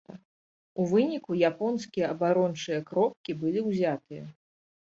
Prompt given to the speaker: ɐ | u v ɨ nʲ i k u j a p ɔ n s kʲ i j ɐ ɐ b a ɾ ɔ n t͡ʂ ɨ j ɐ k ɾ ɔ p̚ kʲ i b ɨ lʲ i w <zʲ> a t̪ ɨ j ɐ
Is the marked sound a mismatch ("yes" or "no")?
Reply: no